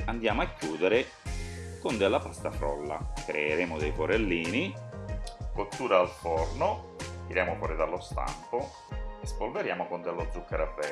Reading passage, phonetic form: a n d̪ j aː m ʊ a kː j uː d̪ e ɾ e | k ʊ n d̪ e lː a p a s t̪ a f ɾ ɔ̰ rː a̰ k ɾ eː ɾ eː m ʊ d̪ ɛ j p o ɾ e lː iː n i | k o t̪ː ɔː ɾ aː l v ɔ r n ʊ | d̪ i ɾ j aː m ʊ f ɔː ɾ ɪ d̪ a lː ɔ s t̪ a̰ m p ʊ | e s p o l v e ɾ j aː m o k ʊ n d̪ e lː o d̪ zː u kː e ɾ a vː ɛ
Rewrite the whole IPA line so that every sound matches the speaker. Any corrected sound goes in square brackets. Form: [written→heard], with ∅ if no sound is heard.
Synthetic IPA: a n d̪ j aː m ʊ a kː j uː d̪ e ɾ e | k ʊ n d̪ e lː a p a s t̪ a f ɾ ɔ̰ [rː→lː] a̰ k ɾ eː ɾ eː m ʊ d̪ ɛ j p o ɾ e lː iː n i | k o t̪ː [ɔː→uː] ɾ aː l [v→f] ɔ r n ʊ | [d̪→t̪] i ɾ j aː m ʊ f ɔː ɾ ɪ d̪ a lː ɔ s t̪ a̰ m p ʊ | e s p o l v e ɾ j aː m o k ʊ n d̪ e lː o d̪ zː u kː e ɾ a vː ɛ